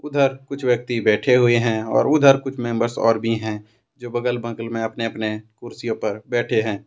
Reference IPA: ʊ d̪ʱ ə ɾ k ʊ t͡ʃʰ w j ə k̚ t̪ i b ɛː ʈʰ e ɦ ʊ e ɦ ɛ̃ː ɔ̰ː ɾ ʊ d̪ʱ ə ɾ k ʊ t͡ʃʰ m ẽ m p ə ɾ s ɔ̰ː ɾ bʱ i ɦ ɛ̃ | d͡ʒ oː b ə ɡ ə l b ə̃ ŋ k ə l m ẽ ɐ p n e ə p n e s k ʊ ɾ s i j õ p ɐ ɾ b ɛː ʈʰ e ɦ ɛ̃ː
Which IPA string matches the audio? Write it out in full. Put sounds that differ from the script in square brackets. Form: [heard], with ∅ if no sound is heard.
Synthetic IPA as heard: ʊ d̪ʱ ə ɾ k ʊ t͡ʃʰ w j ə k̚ t̪ i b ɛː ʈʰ e ɦ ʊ e ɦ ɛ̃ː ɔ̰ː ɾ ʊ d̪ʱ ə ɾ k ʊ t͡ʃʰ m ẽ m [b] ə ɾ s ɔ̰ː ɾ bʱ i ɦ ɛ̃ | d͡ʒ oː b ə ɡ ə l b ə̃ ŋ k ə l m ẽ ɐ p n e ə p n e [∅] k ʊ ɾ s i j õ p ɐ ɾ b ɛː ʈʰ e ɦ ɛ̃ː

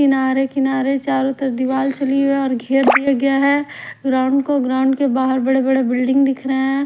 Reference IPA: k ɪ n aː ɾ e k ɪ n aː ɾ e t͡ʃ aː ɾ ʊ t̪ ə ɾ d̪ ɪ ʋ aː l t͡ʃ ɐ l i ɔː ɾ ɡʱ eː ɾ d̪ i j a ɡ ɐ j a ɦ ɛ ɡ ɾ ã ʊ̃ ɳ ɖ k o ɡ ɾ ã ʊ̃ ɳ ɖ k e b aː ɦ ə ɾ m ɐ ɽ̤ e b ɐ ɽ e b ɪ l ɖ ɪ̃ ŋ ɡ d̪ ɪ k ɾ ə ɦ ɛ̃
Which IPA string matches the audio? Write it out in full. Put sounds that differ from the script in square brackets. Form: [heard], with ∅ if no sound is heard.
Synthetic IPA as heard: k ɪ n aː ɾ e k ɪ n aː ɾ e t͡ʃ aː ɾ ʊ t̪ ə ɾ d̪ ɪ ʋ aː l t͡ʃ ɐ l i ɔː ɾ ɡʱ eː ɾ d̪ i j a ɡ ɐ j a ɦ ɛ ɡ ɾ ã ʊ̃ ɳ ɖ k o ɡ ɾ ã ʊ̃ ɳ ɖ k e b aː ɦ ə ɾ [b] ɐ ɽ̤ e b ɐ ɽ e b ɪ l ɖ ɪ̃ ŋ ɡ d̪ ɪ [kʰ] ɾ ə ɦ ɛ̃

